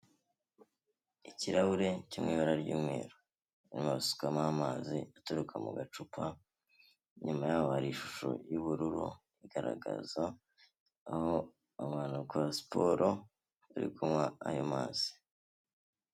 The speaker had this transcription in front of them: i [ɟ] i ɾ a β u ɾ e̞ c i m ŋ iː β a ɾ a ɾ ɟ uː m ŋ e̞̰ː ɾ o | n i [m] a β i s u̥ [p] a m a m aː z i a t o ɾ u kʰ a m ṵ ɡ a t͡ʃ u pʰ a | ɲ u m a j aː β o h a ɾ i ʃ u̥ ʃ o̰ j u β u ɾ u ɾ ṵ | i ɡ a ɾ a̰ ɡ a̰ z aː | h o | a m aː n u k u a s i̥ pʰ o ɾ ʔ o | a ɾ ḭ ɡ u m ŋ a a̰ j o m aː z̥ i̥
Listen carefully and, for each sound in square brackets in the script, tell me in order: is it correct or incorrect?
incorrect: c, correct, incorrect: k

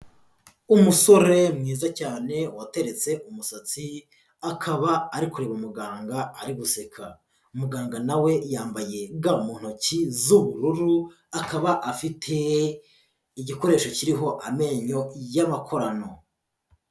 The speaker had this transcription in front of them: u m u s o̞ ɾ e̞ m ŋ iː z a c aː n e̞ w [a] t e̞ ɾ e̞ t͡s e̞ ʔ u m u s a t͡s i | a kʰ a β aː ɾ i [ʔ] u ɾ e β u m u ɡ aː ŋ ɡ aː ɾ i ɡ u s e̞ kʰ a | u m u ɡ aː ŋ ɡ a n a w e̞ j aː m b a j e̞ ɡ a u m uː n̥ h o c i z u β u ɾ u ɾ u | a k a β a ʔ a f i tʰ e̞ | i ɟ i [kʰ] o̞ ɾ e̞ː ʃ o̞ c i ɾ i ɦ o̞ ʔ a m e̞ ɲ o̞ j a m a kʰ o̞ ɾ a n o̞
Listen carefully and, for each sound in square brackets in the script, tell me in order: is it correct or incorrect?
correct, incorrect: k, incorrect: k

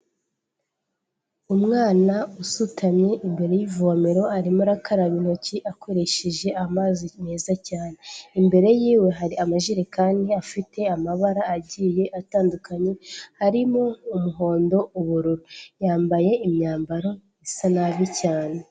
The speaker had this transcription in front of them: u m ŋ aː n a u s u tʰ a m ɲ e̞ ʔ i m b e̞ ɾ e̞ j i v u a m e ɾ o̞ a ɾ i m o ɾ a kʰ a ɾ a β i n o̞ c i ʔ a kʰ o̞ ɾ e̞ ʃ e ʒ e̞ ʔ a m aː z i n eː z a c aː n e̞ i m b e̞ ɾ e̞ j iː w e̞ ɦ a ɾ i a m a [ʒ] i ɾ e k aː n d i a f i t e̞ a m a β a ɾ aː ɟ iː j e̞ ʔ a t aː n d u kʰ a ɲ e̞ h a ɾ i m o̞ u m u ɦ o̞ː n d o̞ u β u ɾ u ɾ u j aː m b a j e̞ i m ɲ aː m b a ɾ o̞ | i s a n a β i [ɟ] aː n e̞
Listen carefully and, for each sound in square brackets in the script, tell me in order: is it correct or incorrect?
correct, incorrect: c

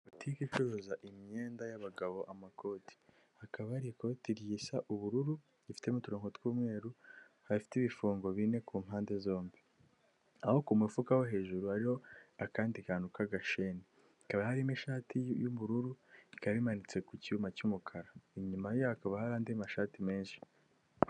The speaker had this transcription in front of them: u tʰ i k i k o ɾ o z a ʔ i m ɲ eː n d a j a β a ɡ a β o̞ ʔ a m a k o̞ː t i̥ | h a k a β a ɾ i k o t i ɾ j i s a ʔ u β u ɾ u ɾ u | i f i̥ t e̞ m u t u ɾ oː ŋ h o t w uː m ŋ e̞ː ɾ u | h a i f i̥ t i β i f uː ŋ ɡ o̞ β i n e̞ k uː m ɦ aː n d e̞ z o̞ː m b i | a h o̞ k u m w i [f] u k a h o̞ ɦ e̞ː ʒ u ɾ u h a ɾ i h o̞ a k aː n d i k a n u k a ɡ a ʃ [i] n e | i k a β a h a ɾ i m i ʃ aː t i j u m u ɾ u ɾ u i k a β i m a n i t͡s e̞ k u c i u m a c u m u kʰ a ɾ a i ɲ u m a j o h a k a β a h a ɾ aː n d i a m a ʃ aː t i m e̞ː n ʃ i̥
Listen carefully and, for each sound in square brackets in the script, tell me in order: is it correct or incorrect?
correct, incorrect: e

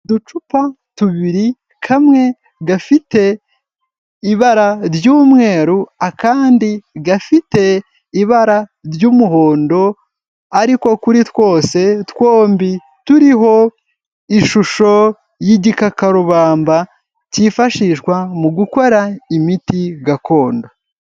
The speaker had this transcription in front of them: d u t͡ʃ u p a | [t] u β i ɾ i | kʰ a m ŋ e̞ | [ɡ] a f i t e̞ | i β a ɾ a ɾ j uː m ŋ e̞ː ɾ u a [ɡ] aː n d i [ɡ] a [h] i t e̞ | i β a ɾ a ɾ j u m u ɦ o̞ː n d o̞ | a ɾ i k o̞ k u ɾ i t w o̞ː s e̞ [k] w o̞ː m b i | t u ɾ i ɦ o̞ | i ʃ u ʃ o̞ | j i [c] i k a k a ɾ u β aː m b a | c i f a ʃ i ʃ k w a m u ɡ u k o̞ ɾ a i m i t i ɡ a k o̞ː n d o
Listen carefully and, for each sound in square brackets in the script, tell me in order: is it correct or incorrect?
correct, correct, incorrect: k, correct, incorrect: f, incorrect: t, incorrect: ɟ

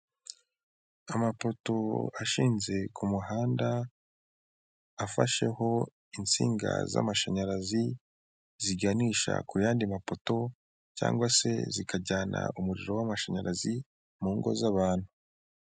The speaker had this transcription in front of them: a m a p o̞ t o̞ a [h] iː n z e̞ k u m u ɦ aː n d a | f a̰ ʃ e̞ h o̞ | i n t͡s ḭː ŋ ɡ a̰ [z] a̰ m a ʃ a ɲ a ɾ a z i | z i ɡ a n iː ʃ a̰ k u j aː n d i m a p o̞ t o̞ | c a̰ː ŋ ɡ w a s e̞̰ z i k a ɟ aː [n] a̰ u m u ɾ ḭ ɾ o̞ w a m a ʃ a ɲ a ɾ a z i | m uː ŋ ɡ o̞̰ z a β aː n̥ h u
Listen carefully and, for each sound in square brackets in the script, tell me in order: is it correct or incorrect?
incorrect: ʃ, correct, correct

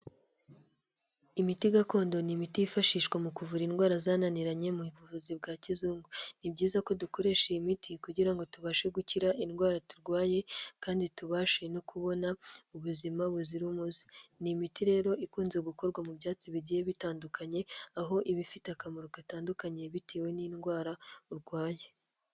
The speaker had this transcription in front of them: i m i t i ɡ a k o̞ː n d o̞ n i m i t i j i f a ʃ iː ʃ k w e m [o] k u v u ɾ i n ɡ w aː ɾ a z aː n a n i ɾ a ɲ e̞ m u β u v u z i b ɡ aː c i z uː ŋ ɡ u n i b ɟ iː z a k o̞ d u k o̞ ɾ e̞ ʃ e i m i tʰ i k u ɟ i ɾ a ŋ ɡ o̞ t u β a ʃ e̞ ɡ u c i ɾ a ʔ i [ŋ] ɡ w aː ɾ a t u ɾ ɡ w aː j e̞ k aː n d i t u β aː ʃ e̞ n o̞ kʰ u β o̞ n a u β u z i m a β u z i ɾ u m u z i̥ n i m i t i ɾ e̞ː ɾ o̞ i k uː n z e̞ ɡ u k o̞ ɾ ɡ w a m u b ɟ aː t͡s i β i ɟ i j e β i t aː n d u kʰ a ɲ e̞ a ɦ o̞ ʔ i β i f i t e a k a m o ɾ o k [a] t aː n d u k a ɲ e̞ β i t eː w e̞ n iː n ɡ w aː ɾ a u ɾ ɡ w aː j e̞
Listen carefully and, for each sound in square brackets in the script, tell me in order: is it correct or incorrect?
incorrect: u, incorrect: n, correct

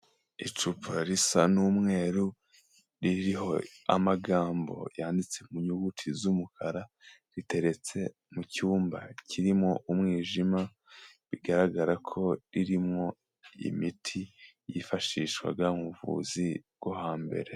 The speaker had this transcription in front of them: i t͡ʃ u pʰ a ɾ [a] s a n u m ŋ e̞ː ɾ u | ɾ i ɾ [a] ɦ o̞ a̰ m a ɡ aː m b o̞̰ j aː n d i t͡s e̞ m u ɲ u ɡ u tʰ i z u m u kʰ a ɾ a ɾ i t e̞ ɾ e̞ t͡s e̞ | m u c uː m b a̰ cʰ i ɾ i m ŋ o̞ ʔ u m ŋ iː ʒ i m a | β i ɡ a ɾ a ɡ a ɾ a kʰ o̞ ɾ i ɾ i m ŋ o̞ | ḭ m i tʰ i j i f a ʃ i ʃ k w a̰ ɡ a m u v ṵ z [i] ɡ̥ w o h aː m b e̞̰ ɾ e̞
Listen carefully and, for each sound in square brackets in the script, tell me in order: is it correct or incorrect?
incorrect: i, incorrect: i, correct

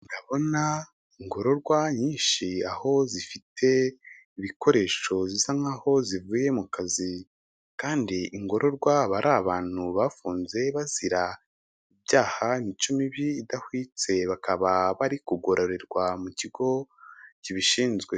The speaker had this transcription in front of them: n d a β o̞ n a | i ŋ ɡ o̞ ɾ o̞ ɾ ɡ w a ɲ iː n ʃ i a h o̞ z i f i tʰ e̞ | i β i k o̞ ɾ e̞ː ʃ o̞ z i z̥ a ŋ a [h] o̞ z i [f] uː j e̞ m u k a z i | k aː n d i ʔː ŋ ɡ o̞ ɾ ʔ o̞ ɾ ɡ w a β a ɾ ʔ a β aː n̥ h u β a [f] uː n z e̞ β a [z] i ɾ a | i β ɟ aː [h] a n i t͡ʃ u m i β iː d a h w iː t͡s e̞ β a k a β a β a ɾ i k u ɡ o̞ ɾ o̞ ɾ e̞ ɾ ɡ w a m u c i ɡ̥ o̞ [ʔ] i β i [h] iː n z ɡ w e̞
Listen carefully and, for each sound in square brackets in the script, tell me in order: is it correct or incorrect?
correct, incorrect: v, correct, correct, correct, incorrect: c, incorrect: ʃ

